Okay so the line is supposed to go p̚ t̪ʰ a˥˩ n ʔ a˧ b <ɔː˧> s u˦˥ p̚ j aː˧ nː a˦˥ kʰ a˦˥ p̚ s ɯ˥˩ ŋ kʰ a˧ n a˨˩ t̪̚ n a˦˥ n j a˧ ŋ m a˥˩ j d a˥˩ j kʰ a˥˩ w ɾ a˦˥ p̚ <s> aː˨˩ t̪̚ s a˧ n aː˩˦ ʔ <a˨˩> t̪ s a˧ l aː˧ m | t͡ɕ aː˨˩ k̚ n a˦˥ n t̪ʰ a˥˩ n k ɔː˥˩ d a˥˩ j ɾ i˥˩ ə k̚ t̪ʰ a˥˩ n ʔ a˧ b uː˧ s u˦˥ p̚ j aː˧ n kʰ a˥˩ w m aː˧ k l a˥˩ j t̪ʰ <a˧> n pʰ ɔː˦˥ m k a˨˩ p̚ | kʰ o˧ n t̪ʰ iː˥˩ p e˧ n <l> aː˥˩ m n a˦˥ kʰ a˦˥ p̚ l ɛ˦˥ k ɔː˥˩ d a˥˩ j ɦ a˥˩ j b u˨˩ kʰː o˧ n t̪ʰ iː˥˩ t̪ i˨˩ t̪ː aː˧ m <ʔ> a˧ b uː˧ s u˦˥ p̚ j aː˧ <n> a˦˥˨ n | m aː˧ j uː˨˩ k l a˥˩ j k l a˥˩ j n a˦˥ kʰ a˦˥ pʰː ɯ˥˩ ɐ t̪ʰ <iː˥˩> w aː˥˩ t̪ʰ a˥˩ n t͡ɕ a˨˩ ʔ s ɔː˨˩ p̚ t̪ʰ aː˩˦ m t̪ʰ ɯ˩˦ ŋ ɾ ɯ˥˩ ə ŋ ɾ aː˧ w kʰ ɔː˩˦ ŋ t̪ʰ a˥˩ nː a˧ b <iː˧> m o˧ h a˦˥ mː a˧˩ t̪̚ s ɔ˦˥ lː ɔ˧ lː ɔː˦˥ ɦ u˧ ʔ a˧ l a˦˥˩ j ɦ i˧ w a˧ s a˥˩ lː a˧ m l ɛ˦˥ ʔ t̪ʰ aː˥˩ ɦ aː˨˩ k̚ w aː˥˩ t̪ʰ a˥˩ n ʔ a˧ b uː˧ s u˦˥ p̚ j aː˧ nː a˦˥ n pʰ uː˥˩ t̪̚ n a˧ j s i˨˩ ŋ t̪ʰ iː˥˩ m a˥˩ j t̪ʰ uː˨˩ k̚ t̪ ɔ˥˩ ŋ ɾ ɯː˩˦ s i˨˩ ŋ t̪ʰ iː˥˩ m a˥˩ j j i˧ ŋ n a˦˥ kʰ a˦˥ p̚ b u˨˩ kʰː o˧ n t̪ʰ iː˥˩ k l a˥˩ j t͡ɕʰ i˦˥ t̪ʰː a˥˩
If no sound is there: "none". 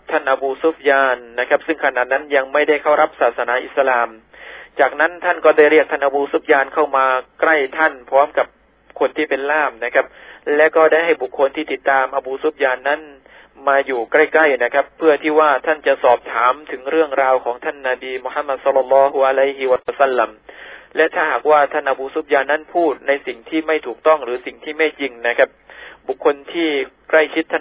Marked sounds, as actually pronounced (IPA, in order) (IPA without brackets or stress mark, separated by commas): uː˧, s, i˨˩, a˥˩, l, ʔ, nː, iː˥˩, iː˧